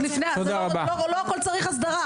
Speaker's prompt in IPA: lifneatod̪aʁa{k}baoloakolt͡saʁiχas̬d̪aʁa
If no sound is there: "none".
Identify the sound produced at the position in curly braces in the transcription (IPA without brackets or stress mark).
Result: none